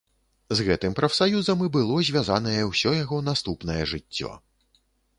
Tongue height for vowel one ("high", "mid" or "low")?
mid